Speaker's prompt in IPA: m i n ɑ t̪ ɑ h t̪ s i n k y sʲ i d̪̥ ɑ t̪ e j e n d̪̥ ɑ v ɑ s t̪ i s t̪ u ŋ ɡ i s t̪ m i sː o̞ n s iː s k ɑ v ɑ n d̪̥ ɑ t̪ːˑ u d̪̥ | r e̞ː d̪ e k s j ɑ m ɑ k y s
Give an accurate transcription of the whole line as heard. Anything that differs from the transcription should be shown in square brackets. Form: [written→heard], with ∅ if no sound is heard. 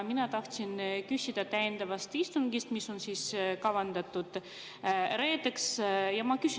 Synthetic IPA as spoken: m i n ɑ t̪ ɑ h t̪ s i n k y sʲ i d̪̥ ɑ t̪ [e→æ] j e n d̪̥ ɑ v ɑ s t̪ i s t̪ u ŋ ɡ i s t̪ m i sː o̞ n s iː s k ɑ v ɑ n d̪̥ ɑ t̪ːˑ u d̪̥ | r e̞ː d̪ e k s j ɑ m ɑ k y s

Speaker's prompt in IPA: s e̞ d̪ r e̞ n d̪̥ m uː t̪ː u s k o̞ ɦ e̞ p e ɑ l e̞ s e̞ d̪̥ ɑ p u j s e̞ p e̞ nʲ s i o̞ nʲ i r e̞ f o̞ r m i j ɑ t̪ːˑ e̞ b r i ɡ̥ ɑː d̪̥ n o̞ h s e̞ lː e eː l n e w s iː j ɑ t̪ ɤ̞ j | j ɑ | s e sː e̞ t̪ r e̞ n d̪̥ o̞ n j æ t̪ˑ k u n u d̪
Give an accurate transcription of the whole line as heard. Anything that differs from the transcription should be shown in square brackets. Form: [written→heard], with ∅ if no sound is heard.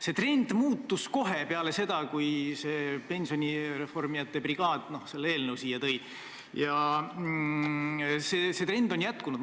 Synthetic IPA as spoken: s e̞ [d̪→t̪] r e̞ n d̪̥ m uː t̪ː u s k o̞ ɦ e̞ p e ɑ l e̞ s e̞ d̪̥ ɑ [p→k] u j s e̞ p e̞ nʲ s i o̞ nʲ i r e̞ f o̞ r m i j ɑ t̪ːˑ e̞ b r i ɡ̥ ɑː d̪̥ n o̞ h s e̞ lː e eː l n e w s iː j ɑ t̪ ɤ̞ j | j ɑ | s e [sː→s] e̞ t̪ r e̞ n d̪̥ o̞ n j æ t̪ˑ k u n u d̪

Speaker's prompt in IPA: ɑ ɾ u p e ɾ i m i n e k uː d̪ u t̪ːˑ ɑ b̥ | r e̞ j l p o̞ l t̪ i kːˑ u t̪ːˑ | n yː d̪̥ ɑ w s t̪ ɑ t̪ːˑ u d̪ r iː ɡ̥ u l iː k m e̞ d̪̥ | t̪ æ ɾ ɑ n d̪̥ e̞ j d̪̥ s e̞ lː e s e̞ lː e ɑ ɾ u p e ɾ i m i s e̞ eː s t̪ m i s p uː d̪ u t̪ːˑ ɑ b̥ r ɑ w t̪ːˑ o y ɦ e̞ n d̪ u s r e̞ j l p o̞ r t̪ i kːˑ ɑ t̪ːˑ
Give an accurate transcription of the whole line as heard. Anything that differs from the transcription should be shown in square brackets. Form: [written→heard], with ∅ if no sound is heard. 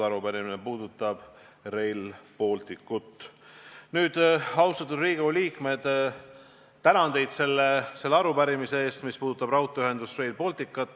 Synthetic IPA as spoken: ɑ ɾ u p [e→æ] ɾ i m i n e [k→p] uː d̪ u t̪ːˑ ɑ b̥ | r e̞ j l p o̞ l t̪ i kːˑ u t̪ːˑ | n yː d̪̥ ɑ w s t̪ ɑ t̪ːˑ u d̪ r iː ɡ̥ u l iː k m e̞ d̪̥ | t̪ æ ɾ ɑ n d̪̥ e̞ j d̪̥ s e̞ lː e s e̞ lː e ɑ ɾ u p [e→æ] ɾ i m i s e̞ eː s t̪ m i s p uː d̪ u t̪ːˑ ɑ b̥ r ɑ w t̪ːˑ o y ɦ e̞ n d̪ u s r e̞ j l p o̞ [r→l] t̪ i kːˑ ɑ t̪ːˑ

